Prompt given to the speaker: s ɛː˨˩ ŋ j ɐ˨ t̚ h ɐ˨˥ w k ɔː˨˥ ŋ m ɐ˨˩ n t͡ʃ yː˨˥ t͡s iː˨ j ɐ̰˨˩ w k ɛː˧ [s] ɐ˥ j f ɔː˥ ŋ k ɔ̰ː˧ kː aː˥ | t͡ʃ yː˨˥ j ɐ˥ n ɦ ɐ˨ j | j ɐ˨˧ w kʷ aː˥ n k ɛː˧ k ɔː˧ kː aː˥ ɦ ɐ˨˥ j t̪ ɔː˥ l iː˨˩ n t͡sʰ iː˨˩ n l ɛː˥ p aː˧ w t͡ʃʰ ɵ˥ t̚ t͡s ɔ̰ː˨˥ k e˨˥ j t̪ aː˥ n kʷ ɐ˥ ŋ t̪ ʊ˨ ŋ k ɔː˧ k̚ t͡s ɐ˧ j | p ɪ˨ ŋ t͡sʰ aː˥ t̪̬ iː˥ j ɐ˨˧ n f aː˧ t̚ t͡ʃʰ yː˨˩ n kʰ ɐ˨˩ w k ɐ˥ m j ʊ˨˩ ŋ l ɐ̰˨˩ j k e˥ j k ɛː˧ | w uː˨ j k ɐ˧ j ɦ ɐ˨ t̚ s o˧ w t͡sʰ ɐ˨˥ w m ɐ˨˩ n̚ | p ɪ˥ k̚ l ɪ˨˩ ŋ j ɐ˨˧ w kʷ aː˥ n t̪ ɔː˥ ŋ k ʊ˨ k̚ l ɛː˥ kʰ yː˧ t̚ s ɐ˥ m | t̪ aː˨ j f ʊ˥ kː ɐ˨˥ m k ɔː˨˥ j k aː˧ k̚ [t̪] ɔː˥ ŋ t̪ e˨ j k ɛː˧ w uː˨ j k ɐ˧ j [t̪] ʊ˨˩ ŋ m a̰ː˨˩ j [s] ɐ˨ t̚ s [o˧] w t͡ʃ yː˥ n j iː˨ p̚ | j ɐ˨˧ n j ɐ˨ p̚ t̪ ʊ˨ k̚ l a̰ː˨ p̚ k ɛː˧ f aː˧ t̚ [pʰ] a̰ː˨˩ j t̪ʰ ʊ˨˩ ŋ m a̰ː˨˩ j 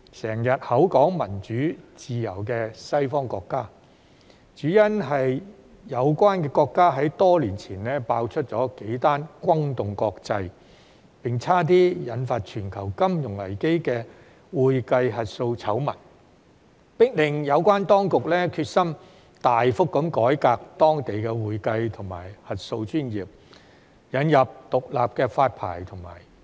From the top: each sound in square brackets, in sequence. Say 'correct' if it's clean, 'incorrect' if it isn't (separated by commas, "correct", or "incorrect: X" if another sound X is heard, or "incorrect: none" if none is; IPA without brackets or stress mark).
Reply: correct, correct, incorrect: t̪ʰ, incorrect: h, correct, correct